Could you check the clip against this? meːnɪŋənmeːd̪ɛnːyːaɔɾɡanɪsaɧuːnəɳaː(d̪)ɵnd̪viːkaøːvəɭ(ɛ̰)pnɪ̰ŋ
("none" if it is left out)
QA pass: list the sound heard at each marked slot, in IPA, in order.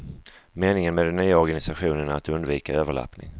t̪, a̰

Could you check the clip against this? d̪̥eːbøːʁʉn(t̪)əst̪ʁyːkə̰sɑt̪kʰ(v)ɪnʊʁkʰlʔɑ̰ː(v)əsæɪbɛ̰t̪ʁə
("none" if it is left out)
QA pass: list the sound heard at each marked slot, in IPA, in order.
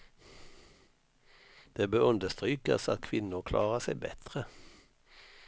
d̪, ʋ, ʁ

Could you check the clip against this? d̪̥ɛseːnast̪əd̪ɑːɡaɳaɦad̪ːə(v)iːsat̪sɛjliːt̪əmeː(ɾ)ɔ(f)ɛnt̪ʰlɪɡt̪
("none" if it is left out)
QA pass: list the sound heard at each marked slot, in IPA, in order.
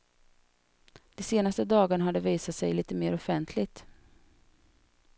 v, ɾ, f

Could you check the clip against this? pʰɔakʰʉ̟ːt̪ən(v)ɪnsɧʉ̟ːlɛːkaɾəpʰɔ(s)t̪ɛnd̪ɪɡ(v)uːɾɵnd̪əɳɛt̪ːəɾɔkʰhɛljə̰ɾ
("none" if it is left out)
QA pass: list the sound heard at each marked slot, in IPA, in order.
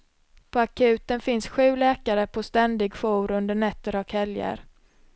f, s, f

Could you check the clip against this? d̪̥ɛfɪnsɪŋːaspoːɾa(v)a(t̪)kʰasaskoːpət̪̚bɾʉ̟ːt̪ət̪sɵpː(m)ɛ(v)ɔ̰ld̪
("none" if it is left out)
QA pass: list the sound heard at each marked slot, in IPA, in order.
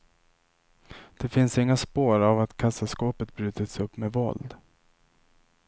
v, t̪, m, v

